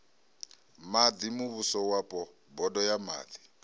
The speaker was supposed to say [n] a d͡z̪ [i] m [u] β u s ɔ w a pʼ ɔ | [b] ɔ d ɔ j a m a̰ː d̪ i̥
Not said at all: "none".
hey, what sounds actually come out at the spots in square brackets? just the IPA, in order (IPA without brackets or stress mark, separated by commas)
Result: m, i, u, b